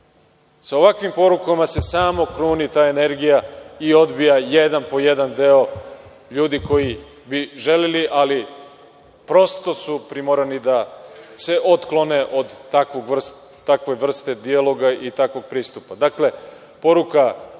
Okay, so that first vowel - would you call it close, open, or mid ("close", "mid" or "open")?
open